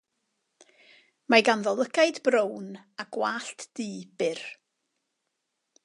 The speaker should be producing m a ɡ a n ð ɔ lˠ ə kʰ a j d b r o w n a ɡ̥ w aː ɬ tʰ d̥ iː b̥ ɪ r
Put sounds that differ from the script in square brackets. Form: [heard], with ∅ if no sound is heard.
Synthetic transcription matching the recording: m a ɡ a n ð ɔ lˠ ə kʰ a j d b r o w n a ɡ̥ w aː ɬ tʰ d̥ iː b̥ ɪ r